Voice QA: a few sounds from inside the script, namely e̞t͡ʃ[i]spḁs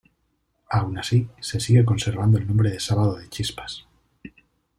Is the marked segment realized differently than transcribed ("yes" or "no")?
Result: no